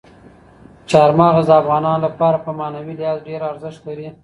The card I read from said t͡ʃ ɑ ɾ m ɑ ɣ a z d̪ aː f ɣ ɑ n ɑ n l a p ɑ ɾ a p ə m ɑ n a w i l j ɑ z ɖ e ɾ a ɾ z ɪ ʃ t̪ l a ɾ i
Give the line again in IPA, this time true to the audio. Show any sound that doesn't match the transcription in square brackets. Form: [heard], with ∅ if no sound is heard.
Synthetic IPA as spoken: t͡ʃ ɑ ɾ m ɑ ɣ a z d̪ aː f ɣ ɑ n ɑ n l a p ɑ ɾ a p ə m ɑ n a w i l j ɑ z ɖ e ɾ a ɾ z ɪ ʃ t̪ l a ɾ i

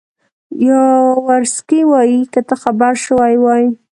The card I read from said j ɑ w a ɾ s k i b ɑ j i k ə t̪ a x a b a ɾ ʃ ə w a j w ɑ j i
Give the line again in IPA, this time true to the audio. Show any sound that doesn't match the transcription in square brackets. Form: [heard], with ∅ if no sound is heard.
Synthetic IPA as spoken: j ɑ w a ɾ s k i [w] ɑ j i k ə t̪ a x a b a ɾ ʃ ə w a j w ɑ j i

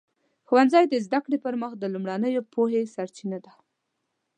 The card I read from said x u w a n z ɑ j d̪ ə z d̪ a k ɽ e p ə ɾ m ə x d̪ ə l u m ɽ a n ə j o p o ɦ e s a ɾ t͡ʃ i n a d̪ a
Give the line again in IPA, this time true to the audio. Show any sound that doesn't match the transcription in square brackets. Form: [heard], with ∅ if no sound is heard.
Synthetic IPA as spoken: x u w a n z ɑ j d̪ ə z d̪ a k ɽ e p ə ɾ m ə x d̪ ə l u m ɽ a n ə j o p o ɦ e s a ɾ t͡ʃ i n a d̪ a

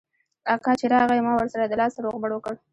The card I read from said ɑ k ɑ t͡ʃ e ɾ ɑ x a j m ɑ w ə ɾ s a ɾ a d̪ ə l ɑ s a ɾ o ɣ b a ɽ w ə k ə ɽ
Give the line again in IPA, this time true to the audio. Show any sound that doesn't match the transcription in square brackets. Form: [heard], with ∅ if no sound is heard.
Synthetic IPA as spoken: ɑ k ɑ t͡ʃ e ɾ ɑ [ɣ] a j m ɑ w ə ɾ s a ɾ a d̪ ə l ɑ s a ɾ o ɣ b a ɽ w ə k ə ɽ

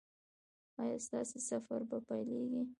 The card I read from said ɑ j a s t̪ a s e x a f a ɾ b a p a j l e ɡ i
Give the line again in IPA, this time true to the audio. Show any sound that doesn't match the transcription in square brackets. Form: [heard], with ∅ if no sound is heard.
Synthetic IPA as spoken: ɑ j [ɑ] s t̪ [ɑ] s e [s] a f a ɾ b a p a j l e ɡ i

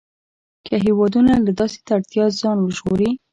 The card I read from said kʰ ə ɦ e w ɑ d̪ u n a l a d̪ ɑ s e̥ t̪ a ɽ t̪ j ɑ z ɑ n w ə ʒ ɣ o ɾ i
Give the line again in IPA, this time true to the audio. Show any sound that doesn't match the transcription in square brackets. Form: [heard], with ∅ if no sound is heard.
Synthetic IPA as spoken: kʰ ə ɦ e w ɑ d̪ u n a l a d̪ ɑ s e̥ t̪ a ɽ t̪ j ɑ z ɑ n w ə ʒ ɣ o ɾ i

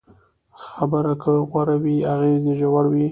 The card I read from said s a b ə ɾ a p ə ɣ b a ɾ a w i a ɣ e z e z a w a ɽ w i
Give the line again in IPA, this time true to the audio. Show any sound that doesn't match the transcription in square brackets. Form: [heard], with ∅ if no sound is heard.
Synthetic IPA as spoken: [x] a b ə ɾ a [k] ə ɣ [w] a ɾ a w i a ɣ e z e [ʒ] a w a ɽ w i

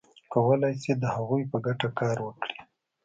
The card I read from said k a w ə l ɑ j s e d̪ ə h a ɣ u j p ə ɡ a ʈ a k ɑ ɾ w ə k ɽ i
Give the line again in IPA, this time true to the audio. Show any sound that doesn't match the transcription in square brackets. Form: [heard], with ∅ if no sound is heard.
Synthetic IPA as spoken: k a w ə l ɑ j s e d̪ ə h a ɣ u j p ə ɡ a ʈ a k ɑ ɾ w ə k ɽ i

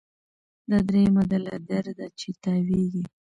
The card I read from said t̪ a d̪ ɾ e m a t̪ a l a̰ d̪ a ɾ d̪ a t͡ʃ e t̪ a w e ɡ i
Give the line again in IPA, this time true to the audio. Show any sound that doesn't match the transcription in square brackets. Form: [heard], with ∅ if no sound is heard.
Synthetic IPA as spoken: [d̪] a d̪ ɾ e m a [d̪] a l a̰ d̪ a ɾ d̪ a t͡ʃ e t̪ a w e ɡ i

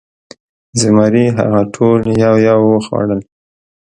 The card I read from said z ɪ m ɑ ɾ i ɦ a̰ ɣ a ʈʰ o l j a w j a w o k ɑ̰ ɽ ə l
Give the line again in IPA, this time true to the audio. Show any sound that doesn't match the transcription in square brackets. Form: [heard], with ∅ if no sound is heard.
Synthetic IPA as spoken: z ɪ m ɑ ɾ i ɦ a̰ ɣ a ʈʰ o l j a w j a w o [x] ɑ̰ ɽ ə l

